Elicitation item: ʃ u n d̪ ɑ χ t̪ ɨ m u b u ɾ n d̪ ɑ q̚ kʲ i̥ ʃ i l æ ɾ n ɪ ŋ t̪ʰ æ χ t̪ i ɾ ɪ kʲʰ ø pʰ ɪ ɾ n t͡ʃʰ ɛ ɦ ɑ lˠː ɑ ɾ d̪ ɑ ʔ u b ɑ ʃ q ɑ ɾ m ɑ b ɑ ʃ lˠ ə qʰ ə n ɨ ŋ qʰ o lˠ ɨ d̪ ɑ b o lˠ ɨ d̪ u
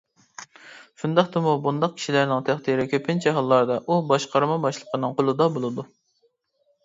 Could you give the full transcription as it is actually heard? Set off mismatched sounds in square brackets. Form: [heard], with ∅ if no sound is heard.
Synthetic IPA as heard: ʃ u n d̪ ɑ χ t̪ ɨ m u b u [∅] n d̪ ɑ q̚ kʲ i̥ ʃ i l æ ɾ n ɪ ŋ t̪ʰ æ χ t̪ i ɾ ɪ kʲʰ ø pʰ ɪ [∅] n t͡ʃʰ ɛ ɦ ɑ lˠː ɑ ɾ d̪ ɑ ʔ u b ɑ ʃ q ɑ ɾ m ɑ b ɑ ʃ lˠ ə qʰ ə n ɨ ŋ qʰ o lˠ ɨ d̪ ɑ b o lˠ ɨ d̪ u